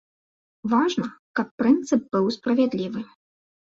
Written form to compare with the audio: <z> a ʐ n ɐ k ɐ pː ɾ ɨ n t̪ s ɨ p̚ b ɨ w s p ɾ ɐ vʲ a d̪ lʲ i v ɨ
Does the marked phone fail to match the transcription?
yes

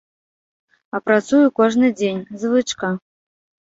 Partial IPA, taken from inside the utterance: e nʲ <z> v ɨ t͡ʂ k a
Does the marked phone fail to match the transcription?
no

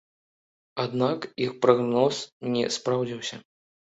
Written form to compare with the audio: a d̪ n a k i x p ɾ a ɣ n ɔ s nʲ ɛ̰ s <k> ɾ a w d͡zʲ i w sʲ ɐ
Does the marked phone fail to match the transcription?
yes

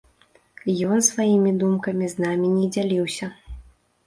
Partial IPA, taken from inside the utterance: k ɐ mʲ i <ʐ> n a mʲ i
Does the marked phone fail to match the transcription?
yes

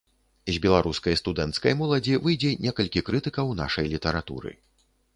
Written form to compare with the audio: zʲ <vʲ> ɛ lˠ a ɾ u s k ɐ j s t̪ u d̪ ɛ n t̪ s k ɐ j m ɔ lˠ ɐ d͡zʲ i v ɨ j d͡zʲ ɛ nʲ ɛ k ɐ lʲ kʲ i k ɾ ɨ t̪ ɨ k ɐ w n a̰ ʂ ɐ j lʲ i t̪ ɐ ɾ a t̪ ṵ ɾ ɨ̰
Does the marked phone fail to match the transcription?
yes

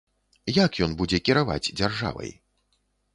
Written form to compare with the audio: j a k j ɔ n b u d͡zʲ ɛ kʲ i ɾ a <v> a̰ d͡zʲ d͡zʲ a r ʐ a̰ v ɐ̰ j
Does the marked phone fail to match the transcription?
no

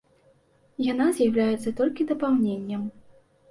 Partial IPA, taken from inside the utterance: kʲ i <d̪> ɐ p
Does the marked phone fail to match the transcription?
no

